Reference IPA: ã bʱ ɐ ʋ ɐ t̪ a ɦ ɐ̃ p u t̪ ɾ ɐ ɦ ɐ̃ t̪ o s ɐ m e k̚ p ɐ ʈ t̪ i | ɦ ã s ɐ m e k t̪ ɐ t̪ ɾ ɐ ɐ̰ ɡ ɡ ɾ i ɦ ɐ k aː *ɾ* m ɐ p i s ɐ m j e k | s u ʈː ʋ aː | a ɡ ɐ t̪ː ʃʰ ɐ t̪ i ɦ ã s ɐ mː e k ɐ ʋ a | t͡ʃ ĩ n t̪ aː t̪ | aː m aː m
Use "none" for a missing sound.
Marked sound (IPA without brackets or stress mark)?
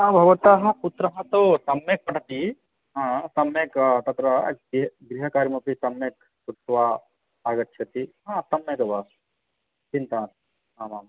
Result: ɾ